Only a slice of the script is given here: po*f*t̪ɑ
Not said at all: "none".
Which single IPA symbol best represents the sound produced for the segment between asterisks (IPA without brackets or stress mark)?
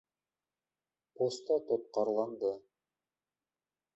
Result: s